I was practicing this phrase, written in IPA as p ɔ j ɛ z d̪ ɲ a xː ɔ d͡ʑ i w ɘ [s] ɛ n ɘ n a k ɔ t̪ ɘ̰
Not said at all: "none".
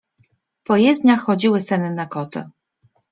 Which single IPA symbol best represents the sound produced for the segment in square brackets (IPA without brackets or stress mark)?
s